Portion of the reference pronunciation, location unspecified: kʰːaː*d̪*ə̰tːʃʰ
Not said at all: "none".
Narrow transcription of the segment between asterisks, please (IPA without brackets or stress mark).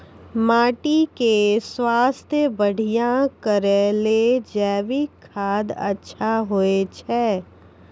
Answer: d̪